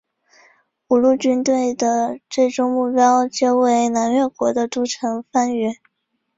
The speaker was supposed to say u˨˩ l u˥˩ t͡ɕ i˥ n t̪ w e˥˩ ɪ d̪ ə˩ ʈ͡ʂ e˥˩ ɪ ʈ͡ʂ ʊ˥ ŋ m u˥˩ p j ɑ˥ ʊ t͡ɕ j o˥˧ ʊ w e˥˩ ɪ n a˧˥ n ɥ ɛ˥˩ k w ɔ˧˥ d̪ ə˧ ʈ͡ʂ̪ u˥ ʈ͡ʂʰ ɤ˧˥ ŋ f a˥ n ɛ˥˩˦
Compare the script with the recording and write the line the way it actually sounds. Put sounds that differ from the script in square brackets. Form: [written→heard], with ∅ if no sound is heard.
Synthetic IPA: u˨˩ l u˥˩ t͡ɕ [i˥→y˥] n t̪ w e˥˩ ɪ d̪ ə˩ ʈ͡ʂ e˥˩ ɪ ʈ͡ʂ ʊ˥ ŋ m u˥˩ p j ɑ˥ ʊ t͡ɕ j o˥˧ ʊ w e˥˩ ɪ n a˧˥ n ɥ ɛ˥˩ k w ɔ˧˥ d̪ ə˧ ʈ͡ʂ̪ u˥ ʈ͡ʂʰ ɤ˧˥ ŋ f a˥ n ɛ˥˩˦